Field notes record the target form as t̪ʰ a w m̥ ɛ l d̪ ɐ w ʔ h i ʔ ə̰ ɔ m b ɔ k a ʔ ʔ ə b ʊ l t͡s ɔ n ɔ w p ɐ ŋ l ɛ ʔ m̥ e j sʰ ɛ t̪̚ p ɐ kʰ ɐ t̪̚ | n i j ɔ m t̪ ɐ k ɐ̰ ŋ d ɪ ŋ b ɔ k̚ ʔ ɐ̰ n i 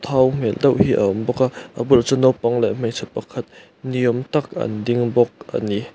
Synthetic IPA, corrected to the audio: t̪ʰ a w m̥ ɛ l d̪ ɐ w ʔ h i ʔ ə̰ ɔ m b ɔ k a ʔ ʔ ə b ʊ l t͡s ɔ n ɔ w p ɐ ŋ l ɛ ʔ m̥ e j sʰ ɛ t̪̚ p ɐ kʰ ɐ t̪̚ | n i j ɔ m t̪ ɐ k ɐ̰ n d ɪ ŋ b ɔ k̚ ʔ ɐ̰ n i